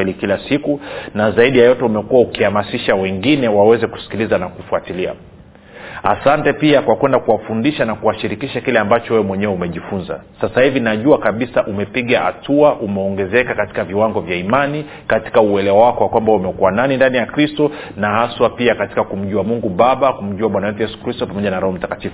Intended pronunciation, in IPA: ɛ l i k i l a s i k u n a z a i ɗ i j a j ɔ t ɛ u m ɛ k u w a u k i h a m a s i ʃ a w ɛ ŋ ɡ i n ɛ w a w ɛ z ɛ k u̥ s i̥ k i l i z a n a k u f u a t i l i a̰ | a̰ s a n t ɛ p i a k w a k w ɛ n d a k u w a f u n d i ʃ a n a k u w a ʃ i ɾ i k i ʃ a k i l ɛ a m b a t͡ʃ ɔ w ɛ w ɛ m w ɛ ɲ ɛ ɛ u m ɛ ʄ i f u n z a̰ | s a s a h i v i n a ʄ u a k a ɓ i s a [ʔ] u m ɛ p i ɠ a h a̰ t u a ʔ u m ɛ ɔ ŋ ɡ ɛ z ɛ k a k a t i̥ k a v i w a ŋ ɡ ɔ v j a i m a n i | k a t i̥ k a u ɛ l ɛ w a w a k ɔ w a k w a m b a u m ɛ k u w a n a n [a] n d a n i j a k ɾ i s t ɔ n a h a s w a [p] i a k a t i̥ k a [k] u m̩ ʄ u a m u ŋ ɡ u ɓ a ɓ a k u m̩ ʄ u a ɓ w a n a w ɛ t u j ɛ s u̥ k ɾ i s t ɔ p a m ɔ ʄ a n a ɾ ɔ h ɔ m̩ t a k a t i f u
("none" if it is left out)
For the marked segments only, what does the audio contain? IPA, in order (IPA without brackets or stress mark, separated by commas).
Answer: ʔ, i, p, k